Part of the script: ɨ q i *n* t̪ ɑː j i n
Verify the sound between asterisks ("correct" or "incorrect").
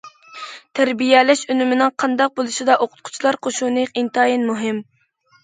correct